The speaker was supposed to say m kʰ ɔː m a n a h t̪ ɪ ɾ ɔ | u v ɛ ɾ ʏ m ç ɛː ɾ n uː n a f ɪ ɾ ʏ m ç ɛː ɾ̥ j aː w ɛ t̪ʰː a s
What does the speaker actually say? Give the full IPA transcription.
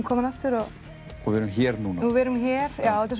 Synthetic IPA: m kʰ ɔː m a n a f t̪ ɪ ɾ ɔ | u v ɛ ɾ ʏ m ç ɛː ɾ n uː n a v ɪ ɾ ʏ m ç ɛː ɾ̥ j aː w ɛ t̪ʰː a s